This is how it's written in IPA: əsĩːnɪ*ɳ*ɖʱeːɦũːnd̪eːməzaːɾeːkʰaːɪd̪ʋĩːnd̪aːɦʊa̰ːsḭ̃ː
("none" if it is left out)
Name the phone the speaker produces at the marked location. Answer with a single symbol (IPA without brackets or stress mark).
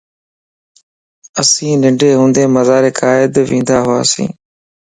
ɳ